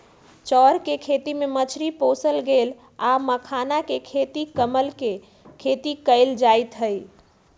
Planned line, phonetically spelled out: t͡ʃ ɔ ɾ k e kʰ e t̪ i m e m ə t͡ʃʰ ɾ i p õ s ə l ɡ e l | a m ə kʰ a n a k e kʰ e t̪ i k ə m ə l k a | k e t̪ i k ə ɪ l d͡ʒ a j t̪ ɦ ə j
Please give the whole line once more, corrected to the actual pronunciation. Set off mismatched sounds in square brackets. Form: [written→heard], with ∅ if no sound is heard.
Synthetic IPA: t͡ʃ ɔ ɾ k e kʰ e t̪ i m e m ə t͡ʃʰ ɾ i p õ s ə l ɡ e l | a m ə kʰ a n a k e kʰ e t̪ i k ə m ə l k [a→e] | [k→kʰ] e t̪ i k ə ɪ l d͡ʒ a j t̪ ɦ ə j

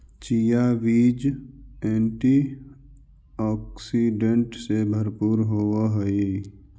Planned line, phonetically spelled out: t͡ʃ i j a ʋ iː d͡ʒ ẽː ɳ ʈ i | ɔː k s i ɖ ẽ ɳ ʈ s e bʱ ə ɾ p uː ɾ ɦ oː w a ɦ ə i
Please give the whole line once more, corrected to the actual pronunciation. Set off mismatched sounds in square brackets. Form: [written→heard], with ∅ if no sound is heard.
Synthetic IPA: t͡ʃ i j a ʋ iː d͡ʒ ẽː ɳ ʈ i | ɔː k s i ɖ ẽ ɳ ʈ s e bʱ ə ɾ p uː ɾ ɦ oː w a ɦ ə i

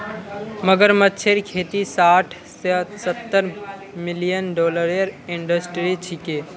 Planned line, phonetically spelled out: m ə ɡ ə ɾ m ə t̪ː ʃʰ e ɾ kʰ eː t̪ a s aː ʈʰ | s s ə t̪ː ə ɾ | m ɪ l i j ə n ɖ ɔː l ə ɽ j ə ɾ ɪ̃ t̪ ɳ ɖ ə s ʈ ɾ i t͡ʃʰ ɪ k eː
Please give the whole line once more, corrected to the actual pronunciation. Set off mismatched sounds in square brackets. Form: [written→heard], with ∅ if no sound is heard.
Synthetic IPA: m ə ɡ ə ɾ m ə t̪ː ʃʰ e ɾ kʰ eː t̪ [a→i] s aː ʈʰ | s s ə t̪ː ə ɾ | m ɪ l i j ə n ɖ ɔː l ə [ɽ→ɾ] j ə ɾ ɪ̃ [t̪→∅] ɳ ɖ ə s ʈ ɾ i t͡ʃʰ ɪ k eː

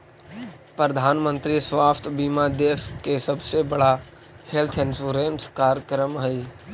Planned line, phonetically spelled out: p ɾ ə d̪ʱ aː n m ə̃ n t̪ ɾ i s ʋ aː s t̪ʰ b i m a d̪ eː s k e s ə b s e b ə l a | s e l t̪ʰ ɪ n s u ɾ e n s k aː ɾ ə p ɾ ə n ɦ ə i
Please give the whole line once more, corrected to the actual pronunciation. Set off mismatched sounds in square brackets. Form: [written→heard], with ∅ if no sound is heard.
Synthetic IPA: p ɾ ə d̪ʱ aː n m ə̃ n t̪ ɾ i s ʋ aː s t̪ʰ b i m a d̪ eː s k e s ə b s e b ə [l→ɽ] a | [s→h] e l t̪ʰ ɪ n s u ɾ e n s k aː ɾ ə [p→k] ɾ ə [n→m] ɦ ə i

